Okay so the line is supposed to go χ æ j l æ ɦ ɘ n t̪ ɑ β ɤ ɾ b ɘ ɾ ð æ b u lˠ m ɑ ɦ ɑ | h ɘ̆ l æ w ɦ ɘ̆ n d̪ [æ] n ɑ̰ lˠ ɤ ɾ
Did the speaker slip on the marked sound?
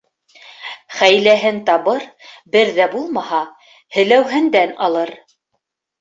no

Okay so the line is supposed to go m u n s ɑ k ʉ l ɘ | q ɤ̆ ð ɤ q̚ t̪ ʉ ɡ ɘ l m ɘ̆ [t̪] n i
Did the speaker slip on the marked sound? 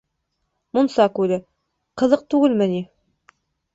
yes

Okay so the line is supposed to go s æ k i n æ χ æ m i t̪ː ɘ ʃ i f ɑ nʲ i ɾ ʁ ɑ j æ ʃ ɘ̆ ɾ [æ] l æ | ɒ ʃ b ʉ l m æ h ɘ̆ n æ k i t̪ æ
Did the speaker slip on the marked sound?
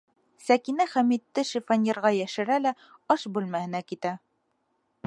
no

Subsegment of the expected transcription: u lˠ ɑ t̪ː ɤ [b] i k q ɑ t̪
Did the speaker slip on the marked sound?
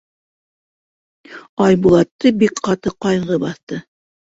no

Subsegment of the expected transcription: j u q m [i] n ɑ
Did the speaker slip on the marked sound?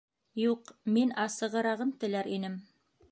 no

